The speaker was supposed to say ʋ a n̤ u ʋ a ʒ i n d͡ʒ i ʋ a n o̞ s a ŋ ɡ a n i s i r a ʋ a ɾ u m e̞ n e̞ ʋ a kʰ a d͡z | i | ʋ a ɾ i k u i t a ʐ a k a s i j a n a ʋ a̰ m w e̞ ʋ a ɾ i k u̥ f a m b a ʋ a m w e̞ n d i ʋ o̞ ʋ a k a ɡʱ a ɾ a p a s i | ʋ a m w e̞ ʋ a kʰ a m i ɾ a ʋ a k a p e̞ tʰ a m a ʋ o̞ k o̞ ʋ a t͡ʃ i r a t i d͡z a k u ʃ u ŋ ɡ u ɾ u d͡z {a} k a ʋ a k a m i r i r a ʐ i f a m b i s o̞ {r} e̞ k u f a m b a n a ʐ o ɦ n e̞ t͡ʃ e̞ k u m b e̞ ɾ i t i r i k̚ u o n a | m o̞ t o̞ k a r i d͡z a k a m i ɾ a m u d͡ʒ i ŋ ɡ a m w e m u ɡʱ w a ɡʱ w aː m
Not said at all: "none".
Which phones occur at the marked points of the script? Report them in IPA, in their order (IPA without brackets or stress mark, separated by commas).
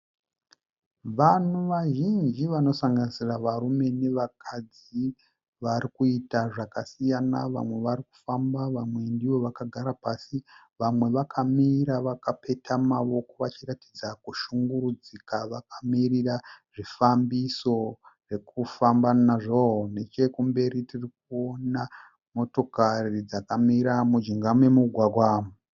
i, r